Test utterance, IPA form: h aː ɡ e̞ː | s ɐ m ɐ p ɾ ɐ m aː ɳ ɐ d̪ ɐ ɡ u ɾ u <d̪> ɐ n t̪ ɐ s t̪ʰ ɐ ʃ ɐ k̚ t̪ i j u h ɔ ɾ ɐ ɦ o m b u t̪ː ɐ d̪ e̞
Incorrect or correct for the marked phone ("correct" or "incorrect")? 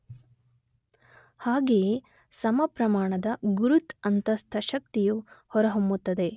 incorrect